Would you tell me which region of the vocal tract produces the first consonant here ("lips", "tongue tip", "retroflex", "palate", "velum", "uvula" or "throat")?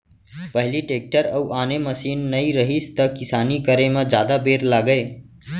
lips